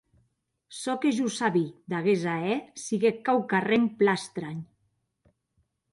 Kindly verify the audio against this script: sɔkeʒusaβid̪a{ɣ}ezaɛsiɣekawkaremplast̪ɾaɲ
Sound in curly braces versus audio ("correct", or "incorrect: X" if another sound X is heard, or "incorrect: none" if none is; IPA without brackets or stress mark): correct